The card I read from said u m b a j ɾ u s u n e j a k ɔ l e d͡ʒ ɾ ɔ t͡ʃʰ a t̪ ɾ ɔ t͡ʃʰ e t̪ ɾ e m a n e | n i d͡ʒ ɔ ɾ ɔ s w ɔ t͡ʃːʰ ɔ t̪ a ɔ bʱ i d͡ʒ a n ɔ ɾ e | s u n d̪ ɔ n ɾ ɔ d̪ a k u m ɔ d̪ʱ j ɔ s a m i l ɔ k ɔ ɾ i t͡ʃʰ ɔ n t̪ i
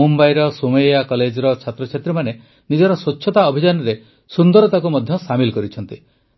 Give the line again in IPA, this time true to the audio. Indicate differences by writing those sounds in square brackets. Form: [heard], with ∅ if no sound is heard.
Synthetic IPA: u m b a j ɾ [ɔ] s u [m] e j a k ɔ l e d͡ʒ ɾ ɔ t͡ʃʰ a t̪ ɾ ɔ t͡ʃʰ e t̪ ɾ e m a n e | n i d͡ʒ ɔ ɾ ɔ s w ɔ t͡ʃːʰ ɔ t̪ a ɔ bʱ i d͡ʒ a n ɔ ɾ e | s u n d̪ ɔ [∅] ɾ ɔ [t̪] a k u m ɔ d̪ʱ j ɔ s a m i l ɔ k ɔ ɾ i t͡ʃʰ ɔ n t̪ i